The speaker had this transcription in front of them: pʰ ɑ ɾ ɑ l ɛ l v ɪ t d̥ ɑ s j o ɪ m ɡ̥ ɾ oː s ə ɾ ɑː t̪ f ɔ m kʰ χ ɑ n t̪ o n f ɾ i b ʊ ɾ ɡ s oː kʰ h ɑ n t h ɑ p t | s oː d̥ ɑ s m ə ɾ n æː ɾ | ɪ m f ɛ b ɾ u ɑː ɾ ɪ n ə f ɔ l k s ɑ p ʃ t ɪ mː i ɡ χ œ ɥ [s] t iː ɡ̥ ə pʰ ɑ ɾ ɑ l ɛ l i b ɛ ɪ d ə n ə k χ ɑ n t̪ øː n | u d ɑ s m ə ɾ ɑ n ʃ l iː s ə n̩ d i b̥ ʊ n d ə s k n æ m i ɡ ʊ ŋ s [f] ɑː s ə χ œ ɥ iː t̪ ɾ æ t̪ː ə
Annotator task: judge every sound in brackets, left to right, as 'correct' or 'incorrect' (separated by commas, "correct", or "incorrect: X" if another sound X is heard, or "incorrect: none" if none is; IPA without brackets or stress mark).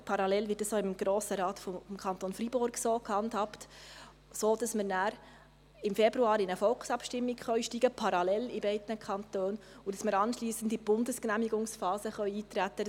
incorrect: ʃ, correct